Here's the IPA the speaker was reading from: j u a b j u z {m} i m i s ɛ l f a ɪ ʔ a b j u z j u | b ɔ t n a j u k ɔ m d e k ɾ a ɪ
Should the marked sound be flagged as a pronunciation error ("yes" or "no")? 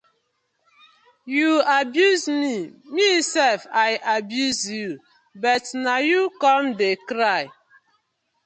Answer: no